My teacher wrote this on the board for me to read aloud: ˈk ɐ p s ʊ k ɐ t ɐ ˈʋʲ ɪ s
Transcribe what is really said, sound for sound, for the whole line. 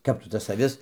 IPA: ˈk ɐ p t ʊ t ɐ s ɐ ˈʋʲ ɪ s